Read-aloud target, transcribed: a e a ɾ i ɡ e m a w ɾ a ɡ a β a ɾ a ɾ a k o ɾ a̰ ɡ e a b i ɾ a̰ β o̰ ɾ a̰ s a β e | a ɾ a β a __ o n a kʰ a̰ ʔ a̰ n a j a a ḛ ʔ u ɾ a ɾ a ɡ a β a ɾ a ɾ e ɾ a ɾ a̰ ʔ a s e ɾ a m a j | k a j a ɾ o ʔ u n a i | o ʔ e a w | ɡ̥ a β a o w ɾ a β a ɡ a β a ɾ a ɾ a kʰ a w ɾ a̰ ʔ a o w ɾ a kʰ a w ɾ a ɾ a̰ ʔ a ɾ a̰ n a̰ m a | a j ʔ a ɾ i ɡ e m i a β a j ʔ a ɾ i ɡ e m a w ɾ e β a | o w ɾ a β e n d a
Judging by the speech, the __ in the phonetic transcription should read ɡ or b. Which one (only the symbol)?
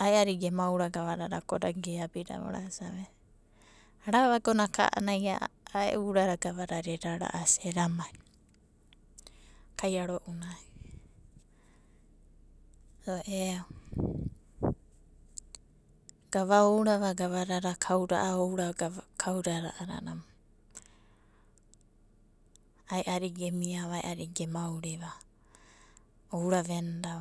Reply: ɡ